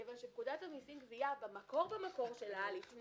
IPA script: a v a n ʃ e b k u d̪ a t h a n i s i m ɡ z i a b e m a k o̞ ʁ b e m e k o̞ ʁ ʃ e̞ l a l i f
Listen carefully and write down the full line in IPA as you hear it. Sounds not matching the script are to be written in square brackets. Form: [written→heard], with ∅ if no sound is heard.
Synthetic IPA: [a→e] v a n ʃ e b k u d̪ a t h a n i s i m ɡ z i a b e m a k o̞ ʁ b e m [e→a] k o̞ ʁ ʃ e̞ l a l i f